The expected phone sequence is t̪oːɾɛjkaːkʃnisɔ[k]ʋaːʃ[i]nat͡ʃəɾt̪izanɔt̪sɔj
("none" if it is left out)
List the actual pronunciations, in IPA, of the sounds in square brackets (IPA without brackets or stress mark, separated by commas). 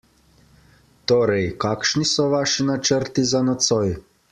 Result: none, i